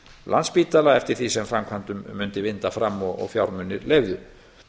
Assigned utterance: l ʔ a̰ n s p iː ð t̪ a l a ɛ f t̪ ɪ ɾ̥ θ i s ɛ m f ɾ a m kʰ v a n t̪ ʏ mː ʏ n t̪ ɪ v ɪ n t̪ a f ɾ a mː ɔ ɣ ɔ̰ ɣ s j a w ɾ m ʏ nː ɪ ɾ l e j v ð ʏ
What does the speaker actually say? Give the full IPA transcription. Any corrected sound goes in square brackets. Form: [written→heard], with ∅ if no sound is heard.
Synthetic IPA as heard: l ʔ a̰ n s p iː [ð→∅] t̪ a l a ɛ f t̪ ɪ ɾ̥ θ i s ɛ m f ɾ a m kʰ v a n t̪ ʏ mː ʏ n t̪ ɪ v ɪ n t̪ a f ɾ a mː ɔ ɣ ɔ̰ ɣ [s→f] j a w ɾ m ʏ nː ɪ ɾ l e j v ð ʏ